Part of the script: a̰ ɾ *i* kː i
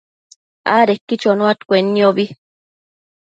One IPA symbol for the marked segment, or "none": e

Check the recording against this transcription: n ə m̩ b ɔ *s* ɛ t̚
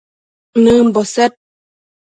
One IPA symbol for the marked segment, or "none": s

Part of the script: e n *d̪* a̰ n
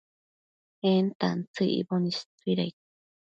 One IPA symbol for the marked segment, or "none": t̪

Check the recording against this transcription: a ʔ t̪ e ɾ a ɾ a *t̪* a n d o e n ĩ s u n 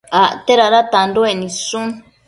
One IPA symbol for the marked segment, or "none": t̪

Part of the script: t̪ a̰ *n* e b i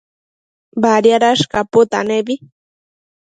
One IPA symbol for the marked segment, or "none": n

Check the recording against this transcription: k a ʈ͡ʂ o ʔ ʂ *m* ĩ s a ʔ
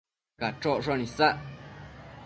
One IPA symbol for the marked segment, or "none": n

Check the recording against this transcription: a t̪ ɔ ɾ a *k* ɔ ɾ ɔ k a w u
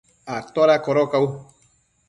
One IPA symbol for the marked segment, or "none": k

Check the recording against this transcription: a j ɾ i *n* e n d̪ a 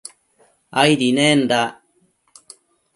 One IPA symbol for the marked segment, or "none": n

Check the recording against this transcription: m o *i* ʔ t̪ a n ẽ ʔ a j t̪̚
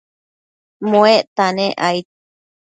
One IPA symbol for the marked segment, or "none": e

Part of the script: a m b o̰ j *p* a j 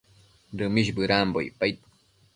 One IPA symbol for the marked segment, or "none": p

